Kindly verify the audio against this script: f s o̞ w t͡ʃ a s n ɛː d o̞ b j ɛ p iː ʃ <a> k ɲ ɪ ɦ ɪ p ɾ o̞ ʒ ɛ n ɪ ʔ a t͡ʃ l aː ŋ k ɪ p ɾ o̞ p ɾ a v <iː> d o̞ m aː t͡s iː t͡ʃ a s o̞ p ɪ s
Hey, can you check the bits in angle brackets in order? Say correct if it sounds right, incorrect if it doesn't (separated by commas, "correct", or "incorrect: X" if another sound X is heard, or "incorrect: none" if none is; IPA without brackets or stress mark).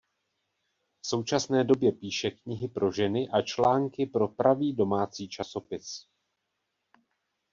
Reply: incorrect: ɛ, correct